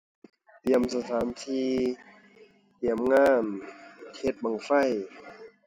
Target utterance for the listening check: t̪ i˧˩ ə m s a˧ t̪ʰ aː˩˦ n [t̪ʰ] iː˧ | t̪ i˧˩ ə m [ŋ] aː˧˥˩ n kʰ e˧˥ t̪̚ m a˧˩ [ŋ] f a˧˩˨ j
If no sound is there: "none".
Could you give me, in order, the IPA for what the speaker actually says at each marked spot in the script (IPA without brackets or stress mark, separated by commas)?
t̪ʰ, ŋ, ŋ